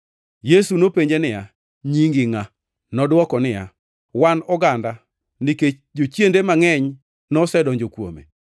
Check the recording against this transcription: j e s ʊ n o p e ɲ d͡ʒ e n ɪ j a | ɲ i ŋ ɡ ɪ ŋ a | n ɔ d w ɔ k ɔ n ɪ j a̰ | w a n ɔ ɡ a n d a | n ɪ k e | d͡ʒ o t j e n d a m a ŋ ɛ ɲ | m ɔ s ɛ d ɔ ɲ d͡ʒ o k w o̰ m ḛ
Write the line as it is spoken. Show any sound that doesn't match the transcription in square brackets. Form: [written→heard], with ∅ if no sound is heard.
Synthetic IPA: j e s [ʊ→u] n o p e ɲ d͡ʒ e n ɪ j a | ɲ i ŋ ɡ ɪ ŋ a | n ɔ d w ɔ k ɔ n ɪ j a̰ | w a n ɔ ɡ a n d a | n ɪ k e | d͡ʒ o [t→t͡ʃ] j e n d [a→e] m a ŋ ɛ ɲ | [m→n] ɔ s ɛ d ɔ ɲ d͡ʒ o k w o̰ m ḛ